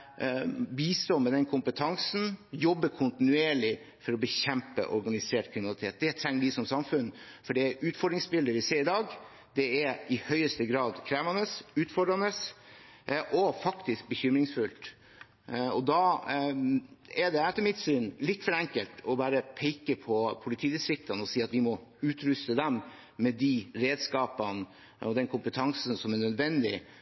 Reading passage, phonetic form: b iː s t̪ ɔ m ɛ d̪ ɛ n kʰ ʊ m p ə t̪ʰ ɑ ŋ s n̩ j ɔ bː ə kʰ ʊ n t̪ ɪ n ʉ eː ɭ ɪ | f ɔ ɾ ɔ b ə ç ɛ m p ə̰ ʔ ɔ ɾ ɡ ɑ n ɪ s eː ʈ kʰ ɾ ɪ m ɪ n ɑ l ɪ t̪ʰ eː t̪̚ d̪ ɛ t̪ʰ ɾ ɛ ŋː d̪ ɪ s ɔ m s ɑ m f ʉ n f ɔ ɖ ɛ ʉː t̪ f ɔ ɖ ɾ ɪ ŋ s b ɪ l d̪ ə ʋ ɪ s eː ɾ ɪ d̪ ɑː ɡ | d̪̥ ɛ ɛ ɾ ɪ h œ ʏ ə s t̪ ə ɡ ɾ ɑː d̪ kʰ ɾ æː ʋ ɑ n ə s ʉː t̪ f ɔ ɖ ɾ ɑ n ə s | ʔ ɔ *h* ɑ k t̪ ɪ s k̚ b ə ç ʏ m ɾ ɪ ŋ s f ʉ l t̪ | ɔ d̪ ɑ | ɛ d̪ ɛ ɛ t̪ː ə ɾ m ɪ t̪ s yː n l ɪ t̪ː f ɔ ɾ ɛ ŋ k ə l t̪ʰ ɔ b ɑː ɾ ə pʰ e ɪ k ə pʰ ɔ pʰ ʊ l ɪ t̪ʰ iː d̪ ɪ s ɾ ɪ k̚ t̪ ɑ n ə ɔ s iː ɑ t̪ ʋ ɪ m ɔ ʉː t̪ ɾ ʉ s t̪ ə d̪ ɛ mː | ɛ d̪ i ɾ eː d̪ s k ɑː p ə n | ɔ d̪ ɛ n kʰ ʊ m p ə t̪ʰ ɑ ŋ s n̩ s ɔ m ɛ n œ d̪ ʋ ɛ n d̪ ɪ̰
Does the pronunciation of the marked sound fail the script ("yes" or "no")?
yes